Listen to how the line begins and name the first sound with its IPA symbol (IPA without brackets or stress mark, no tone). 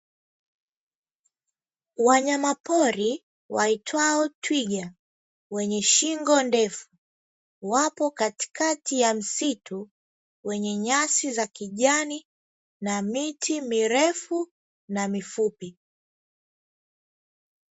w